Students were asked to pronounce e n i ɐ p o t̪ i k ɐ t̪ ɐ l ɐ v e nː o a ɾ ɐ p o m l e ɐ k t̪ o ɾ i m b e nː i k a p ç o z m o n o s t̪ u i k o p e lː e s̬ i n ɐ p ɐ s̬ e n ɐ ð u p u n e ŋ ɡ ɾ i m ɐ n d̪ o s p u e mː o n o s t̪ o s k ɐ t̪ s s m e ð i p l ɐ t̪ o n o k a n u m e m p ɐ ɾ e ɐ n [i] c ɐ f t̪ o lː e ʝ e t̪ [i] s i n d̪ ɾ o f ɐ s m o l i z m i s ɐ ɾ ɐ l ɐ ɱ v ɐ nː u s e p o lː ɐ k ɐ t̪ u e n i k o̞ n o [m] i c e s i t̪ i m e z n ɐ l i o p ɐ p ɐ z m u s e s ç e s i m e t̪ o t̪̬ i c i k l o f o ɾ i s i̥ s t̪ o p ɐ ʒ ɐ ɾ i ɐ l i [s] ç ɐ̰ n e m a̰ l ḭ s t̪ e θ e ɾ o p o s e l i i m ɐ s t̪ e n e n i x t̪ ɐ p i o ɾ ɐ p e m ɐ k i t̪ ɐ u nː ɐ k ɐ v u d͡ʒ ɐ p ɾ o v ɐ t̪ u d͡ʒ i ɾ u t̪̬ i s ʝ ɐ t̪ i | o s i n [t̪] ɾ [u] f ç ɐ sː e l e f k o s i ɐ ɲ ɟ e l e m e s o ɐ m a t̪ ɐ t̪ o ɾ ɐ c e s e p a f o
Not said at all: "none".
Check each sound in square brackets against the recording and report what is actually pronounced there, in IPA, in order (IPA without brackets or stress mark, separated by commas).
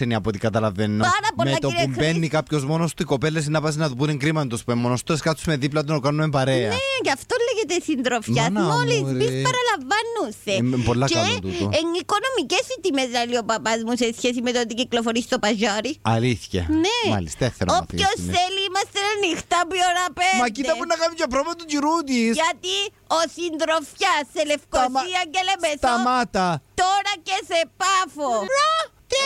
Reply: e, e, m, θ, d̪, o